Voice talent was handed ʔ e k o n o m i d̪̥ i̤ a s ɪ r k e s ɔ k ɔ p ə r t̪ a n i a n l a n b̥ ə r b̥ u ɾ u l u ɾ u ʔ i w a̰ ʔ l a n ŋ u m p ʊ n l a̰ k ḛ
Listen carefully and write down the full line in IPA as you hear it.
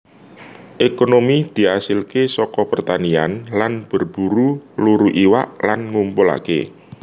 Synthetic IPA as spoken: ʔ e k o n o m i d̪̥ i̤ a s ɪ l k e s ɔ k ɔ p ə r t̪ a n i a n l a n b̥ ə r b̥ u ɾ u l u ɾ u ʔ i w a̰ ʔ l a n ŋ u m p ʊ l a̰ k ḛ